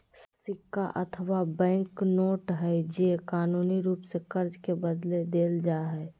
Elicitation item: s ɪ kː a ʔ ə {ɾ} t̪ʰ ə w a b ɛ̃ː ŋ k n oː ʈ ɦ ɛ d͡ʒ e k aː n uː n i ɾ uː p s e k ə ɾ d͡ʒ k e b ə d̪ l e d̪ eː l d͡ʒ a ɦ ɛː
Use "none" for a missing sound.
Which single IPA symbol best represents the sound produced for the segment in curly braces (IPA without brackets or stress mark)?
none